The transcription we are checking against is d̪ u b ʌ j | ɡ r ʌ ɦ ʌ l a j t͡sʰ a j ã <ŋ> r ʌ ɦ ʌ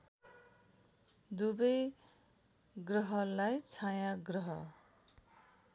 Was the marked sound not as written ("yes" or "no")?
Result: yes